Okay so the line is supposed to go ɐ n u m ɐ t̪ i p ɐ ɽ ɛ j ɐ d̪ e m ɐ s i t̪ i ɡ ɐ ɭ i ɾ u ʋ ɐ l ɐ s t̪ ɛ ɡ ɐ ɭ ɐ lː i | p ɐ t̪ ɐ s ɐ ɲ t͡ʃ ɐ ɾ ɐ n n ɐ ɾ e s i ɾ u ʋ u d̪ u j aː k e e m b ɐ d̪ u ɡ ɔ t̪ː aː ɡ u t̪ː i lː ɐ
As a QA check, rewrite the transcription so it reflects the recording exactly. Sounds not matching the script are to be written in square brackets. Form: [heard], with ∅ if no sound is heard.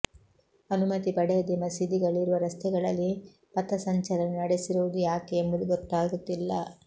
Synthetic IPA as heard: ɐ n u m ɐ t̪ i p ɐ ɽ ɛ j ɐ d̪ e m ɐ s i [d̪] i ɡ ɐ ɭ i ɾ u ʋ ɐ [ɾ] ɐ s t̪ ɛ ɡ ɐ ɭ ɐ lː i | p ɐ t̪ ɐ s ɐ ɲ t͡ʃ ɐ ɾ ɐ n n ɐ [ɽ] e s i ɾ u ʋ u d̪ u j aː k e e m b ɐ d̪ u ɡ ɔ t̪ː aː ɡ u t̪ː i lː ɐ

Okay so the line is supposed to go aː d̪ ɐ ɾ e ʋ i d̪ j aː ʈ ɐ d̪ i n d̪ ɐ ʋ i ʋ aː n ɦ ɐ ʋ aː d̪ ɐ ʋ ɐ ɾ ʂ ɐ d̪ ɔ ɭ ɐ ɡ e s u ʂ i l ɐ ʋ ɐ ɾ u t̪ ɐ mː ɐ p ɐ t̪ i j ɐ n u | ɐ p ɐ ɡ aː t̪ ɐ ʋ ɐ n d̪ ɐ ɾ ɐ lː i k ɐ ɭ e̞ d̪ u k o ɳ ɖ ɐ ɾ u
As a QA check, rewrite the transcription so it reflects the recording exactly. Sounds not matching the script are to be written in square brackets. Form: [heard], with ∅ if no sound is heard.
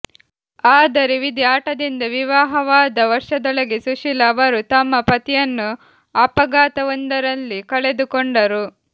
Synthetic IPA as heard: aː d̪ ɐ ɾ e ʋ i d̪ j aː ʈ ɐ d̪ i n d̪ ɐ ʋ i ʋ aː [∅] ɦ ɐ ʋ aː d̪ ɐ ʋ ɐ ɾ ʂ ɐ d̪ ɔ ɭ ɐ ɡ e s u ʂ i l ɐ ʋ ɐ ɾ u t̪ ɐ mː ɐ p ɐ t̪ i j ɐ [nː] u | ɐ p ɐ ɡ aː t̪ ɐ ʋ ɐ n d̪ ɐ ɾ ɐ lː i k ɐ ɭ e̞ d̪ u k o ɳ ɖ ɐ ɾ u

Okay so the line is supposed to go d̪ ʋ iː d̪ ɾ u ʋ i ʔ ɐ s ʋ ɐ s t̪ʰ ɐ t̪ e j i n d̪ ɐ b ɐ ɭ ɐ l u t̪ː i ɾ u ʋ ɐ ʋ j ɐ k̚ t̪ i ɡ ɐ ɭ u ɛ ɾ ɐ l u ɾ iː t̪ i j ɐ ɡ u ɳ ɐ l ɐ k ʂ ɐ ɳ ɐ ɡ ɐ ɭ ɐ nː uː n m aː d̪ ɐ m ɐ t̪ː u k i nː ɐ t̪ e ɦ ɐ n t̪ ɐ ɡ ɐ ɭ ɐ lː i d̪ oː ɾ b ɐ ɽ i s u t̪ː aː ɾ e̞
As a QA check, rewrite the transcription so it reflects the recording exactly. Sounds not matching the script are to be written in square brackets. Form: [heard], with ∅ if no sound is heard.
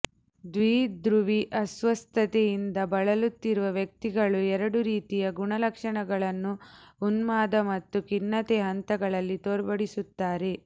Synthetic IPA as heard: d̪ ʋ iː d̪ ɾ u ʋ i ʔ ɐ s ʋ ɐ s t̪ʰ ɐ t̪ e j i n d̪ ɐ b ɐ ɭ ɐ l u t̪ː i ɾ u ʋ ɐ ʋ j ɐ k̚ t̪ i ɡ ɐ ɭ u ɛ ɾ ɐ [ɽ] u ɾ iː t̪ i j ɐ ɡ u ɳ ɐ l ɐ k ʂ ɐ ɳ ɐ ɡ ɐ ɭ ɐ nː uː n m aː d̪ ɐ m ɐ t̪ː u k i nː ɐ t̪ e ɦ ɐ n t̪ ɐ ɡ ɐ ɭ ɐ lː i [t̪] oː ɾ b ɐ ɽ i s u t̪ː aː ɾ e̞

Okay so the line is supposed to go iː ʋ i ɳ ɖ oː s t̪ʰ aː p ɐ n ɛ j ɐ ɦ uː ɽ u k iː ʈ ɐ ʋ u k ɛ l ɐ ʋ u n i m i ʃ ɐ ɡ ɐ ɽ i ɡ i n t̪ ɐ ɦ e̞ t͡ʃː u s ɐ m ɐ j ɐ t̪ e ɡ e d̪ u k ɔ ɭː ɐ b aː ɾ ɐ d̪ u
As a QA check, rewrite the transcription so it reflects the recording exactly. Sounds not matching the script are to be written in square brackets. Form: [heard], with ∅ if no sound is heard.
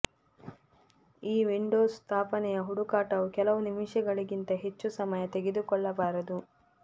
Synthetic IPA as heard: iː ʋ i ɳ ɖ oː s t̪ʰ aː p ɐ n ɛ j ɐ ɦ [u] ɽ u k [aː] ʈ ɐ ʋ u k ɛ l ɐ ʋ u n i m i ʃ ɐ ɡ ɐ [ɭ] i ɡ i n t̪ ɐ ɦ e̞ t͡ʃː u s ɐ m ɐ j ɐ t̪ e ɡ e d̪ u k ɔ ɭː ɐ b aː ɾ ɐ d̪ u

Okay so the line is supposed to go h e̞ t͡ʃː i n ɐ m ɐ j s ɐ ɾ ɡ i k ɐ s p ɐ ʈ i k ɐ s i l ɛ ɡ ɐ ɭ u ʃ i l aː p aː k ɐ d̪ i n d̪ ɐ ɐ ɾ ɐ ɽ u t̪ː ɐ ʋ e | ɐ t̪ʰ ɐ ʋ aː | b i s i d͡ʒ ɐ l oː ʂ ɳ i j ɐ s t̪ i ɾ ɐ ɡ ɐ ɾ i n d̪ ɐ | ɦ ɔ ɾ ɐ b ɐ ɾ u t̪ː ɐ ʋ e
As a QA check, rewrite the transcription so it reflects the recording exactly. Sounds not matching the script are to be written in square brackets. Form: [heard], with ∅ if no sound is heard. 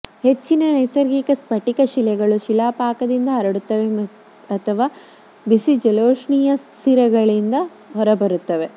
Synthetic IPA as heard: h e̞ t͡ʃː i n ɐ [n] ɐ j s ɐ ɾ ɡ i k ɐ s p ɐ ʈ i k ɐ [ʃ] i l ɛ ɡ ɐ ɭ u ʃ i l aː p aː k ɐ d̪ i n d̪ ɐ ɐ ɾ ɐ ɽ u t̪ː ɐ ʋ e | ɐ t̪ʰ ɐ ʋ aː | b i s i d͡ʒ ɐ l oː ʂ ɳ i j ɐ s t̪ i ɾ ɐ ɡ ɐ [ɭ] i n d̪ ɐ | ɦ ɔ ɾ ɐ b ɐ ɾ u t̪ː ɐ ʋ e

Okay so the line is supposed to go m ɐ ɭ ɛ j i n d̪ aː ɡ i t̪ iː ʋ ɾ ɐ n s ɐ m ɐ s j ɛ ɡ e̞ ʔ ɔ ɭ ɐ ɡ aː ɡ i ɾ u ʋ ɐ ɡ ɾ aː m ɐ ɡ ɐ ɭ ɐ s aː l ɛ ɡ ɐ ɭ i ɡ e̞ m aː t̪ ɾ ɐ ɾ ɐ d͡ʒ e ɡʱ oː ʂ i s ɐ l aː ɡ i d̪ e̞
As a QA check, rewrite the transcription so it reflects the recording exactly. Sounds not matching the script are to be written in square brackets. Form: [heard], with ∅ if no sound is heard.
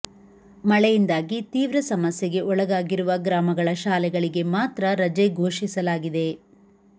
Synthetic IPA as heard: m ɐ ɭ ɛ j i n d̪ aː ɡ i t̪ iː ʋ ɾ ɐ [∅] s ɐ m ɐ s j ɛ ɡ e̞ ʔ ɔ ɭ ɐ ɡ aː ɡ i ɾ u ʋ ɐ ɡ ɾ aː m ɐ ɡ ɐ ɭ ɐ [ʃ] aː l ɛ ɡ ɐ ɭ i ɡ e̞ m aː t̪ ɾ ɐ ɾ ɐ d͡ʒ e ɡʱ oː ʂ i s ɐ l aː ɡ i d̪ e̞

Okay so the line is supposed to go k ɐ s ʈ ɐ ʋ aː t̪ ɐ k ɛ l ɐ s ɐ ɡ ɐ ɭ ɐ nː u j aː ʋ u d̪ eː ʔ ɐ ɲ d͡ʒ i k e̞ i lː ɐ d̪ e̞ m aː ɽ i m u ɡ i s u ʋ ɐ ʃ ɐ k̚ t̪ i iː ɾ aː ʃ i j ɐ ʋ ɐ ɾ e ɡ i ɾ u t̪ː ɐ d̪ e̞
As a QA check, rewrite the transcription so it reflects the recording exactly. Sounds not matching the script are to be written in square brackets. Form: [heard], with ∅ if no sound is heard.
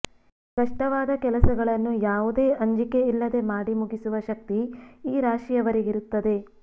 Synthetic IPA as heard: k ɐ [ʂ] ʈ ɐ ʋ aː [d̪] ɐ k ɛ l ɐ s ɐ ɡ ɐ ɭ ɐ nː u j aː ʋ u d̪ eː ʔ ɐ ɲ d͡ʒ i k e̞ i lː ɐ d̪ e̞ m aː ɽ i m u ɡ i s u ʋ ɐ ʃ ɐ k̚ t̪ i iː ɾ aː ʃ i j ɐ ʋ ɐ ɾ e ɡ i ɾ u t̪ː ɐ d̪ e̞

